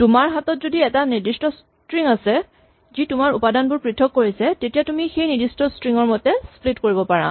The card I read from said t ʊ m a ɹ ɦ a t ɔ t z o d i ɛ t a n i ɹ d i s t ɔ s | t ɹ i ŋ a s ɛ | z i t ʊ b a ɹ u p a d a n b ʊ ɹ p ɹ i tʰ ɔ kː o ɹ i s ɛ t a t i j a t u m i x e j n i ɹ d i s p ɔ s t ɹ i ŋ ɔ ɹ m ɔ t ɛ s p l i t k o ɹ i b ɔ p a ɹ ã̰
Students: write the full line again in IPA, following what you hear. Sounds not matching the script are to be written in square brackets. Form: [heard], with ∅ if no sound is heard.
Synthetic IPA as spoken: t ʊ m a ɹ ɦ a t ɔ t z o d i ɛ t a n i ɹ d i s t ɔ s | t ɹ i ŋ a s ɛ | z i t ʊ [m] a ɹ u p a d a n b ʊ ɹ p ɹ i tʰ ɔ kː o ɹ i s ɛ t [e] t i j a t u m i x e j n i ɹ d i s [t] ɔ s t ɹ i ŋ ɔ ɹ m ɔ t ɛ s p l i t k o ɹ i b ɔ p a ɹ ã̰